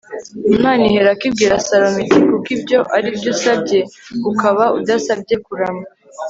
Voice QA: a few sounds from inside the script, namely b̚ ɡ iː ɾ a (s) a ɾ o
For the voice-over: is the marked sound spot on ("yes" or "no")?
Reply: yes